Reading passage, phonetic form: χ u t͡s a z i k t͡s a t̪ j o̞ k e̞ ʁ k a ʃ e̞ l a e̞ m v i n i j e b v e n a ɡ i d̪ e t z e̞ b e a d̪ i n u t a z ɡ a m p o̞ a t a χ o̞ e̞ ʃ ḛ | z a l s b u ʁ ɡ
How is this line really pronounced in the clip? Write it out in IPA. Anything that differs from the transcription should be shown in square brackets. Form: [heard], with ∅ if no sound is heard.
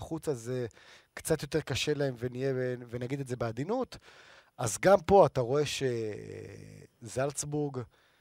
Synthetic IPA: χ u t͡s a z [e] k t͡s a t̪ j o̞ [t] e̞ ʁ k a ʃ e̞ l a e̞ m v [e] n i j e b v e n a ɡ i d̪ e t z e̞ b e a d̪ i n u t a z ɡ a m p o̞ a t a [ʁ] o̞ e̞ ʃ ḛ | z a l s b u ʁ ɡ